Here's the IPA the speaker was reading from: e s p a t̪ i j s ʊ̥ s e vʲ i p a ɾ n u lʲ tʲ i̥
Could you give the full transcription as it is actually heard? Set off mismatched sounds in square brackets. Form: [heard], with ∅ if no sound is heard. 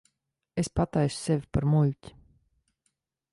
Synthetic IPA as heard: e s p a t̪ [a] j s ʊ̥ s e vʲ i p a ɾ [m] u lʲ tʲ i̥